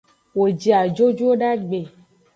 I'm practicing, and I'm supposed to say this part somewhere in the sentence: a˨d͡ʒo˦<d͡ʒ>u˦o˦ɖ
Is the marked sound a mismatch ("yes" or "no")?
no